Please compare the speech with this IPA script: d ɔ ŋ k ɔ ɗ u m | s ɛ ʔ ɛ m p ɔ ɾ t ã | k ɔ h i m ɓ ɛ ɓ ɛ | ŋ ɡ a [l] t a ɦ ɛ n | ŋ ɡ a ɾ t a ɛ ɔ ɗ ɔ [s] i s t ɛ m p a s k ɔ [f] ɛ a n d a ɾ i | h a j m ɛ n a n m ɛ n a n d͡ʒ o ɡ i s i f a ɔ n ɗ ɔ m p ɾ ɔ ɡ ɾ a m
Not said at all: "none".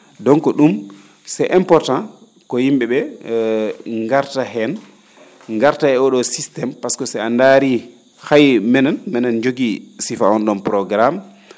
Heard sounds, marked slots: ɾ, s, s

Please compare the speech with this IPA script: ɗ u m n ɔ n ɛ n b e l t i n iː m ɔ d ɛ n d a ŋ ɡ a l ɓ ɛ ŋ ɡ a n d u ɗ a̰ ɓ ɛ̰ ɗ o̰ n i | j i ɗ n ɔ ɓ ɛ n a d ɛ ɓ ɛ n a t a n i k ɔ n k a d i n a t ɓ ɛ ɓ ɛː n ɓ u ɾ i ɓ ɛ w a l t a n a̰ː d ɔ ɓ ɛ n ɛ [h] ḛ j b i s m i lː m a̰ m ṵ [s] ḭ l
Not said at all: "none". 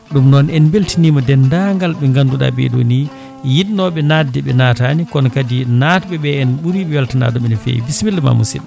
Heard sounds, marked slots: f, s

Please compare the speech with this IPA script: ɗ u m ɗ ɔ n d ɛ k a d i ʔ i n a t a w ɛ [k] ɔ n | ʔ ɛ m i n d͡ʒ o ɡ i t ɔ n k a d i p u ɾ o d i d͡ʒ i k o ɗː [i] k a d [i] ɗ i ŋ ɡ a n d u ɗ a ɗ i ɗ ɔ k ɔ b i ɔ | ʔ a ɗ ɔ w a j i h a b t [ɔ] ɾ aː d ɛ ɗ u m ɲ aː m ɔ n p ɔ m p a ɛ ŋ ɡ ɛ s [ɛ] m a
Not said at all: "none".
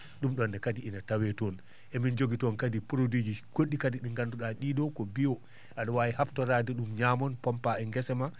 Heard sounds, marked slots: t, i, i, ɔ, ɛ

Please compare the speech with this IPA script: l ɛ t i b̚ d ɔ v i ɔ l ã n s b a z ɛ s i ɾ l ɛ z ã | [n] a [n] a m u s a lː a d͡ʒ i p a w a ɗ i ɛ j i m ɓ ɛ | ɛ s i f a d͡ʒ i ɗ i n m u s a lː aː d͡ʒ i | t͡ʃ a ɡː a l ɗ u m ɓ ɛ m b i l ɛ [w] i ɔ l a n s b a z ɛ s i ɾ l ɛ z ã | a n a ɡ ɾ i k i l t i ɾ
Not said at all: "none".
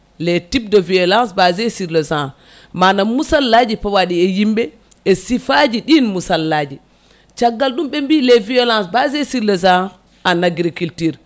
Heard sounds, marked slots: m, n, v

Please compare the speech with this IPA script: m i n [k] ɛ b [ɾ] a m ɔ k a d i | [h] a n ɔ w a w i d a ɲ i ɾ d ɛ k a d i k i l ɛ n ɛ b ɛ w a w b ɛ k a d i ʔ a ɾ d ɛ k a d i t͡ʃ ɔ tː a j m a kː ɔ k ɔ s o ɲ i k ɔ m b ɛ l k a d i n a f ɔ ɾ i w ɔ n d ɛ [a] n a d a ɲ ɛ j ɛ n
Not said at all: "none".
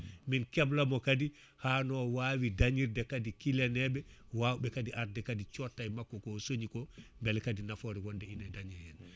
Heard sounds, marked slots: k, l, h, i

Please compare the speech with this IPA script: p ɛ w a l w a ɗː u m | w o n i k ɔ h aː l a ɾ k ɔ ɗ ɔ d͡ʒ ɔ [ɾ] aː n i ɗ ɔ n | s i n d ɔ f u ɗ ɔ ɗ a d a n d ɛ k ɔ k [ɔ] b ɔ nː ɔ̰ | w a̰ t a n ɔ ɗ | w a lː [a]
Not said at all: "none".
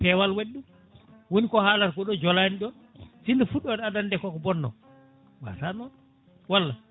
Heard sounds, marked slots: l, ɔ, a

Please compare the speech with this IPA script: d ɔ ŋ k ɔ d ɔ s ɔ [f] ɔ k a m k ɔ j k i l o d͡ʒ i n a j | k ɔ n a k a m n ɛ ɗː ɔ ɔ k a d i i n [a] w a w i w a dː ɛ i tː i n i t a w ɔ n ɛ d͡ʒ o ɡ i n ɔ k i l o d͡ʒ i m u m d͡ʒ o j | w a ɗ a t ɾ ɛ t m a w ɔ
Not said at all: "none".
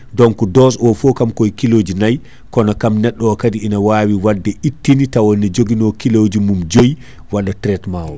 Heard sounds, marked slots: f, a

